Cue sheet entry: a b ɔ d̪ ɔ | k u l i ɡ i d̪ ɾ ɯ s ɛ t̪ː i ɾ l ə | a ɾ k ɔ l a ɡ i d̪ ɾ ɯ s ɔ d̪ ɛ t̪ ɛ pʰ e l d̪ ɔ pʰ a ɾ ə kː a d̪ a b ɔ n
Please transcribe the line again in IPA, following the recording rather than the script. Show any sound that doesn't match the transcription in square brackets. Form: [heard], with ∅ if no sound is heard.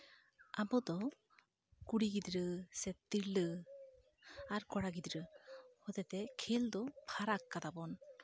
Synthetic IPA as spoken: a b ɔ d̪ ɔ | k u [ɽ] i ɡ i d̪ ɾ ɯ s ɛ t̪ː i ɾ l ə | a ɾ k ɔ [ɽ] a ɡ i d̪ ɾ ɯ [h] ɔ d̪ ɛ t̪ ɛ [kʰ] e l d̪ ɔ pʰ a ɾ [a] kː a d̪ a b ɔ n